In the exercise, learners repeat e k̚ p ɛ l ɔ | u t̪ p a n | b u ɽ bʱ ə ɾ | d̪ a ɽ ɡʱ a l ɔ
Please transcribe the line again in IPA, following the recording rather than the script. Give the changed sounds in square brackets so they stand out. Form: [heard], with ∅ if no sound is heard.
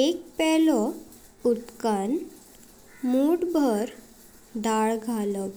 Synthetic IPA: e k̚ p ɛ l ɔ | u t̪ [k] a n | [m] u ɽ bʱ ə ɾ | d̪ a [ɭ] ɡʱ a l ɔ